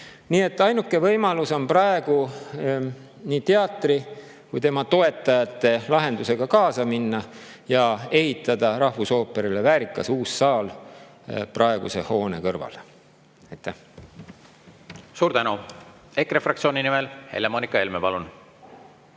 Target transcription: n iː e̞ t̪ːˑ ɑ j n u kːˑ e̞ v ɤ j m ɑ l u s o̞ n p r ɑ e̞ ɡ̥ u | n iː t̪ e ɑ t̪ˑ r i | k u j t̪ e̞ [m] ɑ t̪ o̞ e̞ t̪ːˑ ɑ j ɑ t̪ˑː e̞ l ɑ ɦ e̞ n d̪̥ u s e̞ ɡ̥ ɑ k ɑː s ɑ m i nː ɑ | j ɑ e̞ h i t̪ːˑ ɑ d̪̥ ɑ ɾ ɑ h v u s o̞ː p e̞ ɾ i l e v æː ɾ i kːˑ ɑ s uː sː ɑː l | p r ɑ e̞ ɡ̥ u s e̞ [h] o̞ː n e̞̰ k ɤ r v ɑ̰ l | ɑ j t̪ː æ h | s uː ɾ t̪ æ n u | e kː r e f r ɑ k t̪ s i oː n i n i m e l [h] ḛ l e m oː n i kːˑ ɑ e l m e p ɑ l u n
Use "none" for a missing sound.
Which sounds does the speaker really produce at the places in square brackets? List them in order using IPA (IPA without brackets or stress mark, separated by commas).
m, h, h